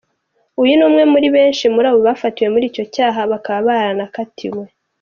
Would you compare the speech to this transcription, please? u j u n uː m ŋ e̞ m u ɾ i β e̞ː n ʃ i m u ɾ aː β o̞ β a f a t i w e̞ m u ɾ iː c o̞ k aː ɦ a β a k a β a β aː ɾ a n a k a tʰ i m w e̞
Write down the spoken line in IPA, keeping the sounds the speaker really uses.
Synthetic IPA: u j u n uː m ŋ e̞ m u ɾ i β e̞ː n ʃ i m u ɾ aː β o̞ β a f a t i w e̞ m u ɾ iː c o̞ c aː ɦ a β a k a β a β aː ɾ a n a k a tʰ i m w e̞